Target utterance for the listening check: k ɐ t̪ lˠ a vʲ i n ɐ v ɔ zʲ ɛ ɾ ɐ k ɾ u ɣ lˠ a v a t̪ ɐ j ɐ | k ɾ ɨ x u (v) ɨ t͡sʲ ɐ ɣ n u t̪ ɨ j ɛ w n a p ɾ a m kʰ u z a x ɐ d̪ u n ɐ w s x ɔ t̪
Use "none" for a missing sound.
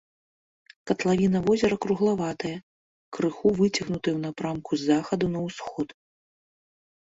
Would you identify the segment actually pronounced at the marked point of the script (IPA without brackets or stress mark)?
v